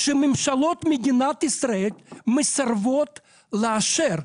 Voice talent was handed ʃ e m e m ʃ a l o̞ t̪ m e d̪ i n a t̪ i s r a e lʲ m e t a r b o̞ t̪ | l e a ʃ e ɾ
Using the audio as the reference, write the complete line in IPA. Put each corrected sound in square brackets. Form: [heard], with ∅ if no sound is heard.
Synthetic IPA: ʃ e m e m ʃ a l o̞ t̪ m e d̪ i n a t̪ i s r a e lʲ m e [s] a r [v] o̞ t̪ | l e a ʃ e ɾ